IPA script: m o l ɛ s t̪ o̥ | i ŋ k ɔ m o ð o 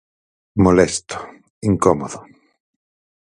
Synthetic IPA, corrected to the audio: m o l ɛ s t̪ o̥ | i ŋ k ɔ m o ð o